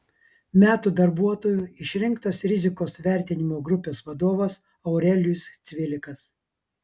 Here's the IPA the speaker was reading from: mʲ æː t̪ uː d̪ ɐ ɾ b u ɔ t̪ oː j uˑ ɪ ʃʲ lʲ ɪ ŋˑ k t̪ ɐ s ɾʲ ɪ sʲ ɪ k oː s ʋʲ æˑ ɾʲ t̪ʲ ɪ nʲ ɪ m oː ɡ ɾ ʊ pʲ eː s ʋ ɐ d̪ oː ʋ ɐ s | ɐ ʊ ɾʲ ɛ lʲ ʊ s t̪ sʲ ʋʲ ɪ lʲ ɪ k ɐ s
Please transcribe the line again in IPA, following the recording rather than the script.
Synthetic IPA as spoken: mʲ æː t̪ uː d̪ ɐ ɾ b u ɔ t̪ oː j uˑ ɪ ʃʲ ɾʲ ɪ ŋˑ k t̪ ɐ s ɾʲ ɪ zʲ ɪ k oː s ʋʲ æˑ ɾʲ t̪ʲ ɪ nʲ ɪ m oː ɡ ɾ ʊ pʲ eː s ʋ ɐ d̪ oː ʋ ɐ s | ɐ ʊ ɾʲ ɛ lʲ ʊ s t̪ sʲ ʋʲ ɪ lʲ ɪ k ɐ s